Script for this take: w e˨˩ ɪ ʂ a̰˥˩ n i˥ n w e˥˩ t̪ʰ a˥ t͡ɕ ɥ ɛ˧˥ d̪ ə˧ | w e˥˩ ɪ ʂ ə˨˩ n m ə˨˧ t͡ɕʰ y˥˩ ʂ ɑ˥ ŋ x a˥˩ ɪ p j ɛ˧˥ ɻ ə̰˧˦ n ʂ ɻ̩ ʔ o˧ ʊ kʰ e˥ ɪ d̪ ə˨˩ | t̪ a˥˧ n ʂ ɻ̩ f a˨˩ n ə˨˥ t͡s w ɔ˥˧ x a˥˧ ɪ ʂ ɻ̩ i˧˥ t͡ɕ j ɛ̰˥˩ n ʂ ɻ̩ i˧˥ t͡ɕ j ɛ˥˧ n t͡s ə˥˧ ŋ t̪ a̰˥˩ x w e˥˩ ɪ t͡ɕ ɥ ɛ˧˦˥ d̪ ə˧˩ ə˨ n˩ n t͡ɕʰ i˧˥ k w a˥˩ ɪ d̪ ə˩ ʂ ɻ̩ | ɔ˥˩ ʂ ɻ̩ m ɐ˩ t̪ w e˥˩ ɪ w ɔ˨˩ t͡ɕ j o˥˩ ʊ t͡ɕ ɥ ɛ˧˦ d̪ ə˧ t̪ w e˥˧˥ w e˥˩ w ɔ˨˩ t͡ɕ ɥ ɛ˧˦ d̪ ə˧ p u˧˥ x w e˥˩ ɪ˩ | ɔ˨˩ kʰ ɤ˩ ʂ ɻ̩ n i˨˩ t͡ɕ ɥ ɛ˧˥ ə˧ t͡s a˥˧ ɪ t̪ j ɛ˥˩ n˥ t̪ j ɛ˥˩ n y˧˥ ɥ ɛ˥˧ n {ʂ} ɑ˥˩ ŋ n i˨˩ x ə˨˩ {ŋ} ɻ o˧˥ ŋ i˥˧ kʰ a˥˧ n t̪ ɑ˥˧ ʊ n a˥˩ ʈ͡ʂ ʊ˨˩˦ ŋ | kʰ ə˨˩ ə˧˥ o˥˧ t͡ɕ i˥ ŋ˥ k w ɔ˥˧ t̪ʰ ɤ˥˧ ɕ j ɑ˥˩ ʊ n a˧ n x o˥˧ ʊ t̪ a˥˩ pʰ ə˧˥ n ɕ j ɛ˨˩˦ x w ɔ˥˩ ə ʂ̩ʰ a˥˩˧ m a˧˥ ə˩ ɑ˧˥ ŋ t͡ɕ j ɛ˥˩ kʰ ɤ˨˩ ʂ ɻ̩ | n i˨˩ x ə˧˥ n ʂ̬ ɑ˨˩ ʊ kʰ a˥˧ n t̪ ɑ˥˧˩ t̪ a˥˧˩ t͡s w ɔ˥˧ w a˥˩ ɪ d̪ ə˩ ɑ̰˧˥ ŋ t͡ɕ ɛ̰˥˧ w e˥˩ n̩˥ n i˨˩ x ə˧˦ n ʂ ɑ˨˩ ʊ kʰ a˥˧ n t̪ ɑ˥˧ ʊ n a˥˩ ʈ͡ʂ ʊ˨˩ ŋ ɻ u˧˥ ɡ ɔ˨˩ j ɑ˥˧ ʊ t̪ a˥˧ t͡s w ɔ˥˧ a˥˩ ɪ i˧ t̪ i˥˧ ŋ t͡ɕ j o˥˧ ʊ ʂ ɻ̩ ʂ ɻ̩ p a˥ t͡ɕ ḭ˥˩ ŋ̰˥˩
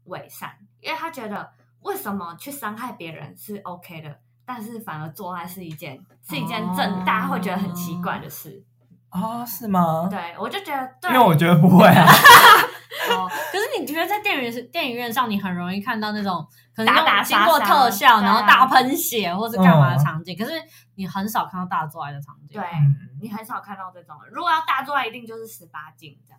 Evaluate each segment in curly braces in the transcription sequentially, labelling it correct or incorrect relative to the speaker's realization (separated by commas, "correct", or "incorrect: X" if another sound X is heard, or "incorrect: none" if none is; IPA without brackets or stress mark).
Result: correct, incorrect: n